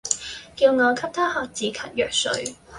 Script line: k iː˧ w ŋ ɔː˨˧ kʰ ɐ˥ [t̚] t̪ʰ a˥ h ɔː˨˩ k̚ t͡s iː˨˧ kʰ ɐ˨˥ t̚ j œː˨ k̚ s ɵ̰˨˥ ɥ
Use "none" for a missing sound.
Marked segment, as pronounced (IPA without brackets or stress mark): p̚